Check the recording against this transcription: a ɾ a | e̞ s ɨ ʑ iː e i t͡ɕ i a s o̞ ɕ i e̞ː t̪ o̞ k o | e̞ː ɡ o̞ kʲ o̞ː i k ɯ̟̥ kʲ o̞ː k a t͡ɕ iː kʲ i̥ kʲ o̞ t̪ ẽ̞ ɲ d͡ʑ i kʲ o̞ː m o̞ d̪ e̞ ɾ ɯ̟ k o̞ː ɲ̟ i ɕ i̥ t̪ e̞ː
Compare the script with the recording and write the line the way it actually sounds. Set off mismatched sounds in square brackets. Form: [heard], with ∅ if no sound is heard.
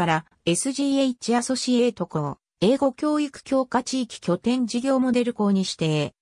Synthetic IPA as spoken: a ɾ a | e̞ s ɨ ʑ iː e i t͡ɕ i a s o̞ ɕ i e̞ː t̪ o̞ k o | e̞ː ɡ o̞ kʲ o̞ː i k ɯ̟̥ kʲ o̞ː k a t͡ɕ iː kʲ i̥ kʲ o̞ t̪ ẽ̞ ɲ d͡ʑ i [ɡʲ] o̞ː m o̞ d̪ e̞ ɾ ɯ̟ k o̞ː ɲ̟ i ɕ i̥ t̪ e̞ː